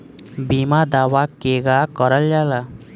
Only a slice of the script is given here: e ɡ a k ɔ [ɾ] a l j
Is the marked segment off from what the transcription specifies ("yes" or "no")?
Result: no